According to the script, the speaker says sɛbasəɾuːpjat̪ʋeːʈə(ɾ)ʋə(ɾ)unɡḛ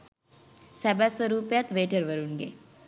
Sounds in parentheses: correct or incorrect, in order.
correct, correct

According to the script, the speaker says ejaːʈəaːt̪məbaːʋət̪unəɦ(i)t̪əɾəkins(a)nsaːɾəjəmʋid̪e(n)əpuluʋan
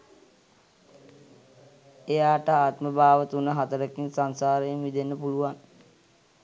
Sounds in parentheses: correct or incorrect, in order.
incorrect, correct, incorrect

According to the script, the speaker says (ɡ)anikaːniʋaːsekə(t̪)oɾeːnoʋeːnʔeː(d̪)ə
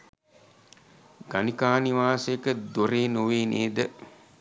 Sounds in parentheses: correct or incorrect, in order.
correct, incorrect, correct

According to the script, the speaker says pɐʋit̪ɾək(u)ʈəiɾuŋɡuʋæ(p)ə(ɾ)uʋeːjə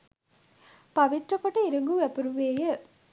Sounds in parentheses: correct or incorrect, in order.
incorrect, correct, correct

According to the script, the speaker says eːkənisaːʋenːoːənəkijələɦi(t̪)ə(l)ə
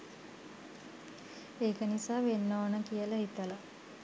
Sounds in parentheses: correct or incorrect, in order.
correct, correct

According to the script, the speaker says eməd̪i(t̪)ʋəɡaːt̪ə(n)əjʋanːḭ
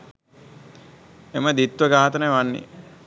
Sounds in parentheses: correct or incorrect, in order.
correct, correct

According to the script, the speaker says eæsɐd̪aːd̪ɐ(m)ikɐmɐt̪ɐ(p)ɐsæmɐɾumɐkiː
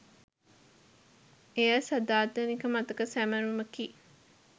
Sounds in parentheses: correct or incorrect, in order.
incorrect, incorrect

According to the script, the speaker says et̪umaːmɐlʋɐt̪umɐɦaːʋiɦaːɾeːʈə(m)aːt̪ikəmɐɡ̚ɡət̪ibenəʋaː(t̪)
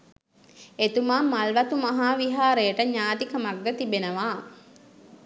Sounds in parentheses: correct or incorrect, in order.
incorrect, incorrect

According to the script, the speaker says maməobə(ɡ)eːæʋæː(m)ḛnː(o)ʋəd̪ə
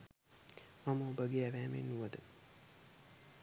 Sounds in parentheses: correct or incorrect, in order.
correct, correct, incorrect

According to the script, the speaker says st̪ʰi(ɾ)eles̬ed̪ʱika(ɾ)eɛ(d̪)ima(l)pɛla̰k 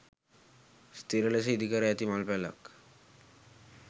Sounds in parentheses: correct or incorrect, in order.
correct, correct, incorrect, correct

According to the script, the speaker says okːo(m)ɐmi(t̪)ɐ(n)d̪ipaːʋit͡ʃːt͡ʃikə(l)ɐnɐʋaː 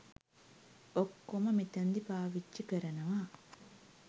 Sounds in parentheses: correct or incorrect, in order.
correct, correct, correct, incorrect

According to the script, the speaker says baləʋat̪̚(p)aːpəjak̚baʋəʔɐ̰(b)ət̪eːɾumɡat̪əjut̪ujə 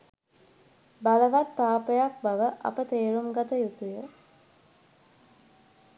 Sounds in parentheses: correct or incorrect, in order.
correct, incorrect

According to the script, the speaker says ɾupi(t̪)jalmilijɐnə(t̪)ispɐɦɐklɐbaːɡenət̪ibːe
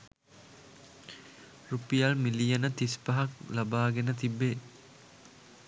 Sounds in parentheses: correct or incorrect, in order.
incorrect, correct

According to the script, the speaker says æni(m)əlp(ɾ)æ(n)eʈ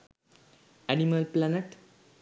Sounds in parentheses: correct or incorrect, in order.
correct, incorrect, correct

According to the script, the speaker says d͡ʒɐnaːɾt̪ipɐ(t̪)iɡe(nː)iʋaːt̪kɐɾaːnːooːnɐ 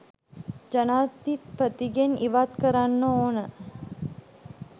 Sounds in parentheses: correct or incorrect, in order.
correct, incorrect

